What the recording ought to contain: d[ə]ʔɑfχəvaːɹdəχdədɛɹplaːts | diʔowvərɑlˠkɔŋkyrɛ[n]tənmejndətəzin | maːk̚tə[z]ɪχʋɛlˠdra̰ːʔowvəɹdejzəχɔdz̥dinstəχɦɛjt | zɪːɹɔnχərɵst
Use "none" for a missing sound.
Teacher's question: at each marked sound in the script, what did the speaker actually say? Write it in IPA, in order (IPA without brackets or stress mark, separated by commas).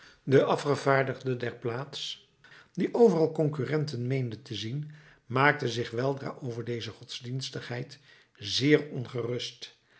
ə, n, z